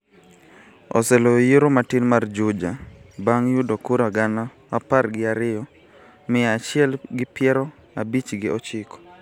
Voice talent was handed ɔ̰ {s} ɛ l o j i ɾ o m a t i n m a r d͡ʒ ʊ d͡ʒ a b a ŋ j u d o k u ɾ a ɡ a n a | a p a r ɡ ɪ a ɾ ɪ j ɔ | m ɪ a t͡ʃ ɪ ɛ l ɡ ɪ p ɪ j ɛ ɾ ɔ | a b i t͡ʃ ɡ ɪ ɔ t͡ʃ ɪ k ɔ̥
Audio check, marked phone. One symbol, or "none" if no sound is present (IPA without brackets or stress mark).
s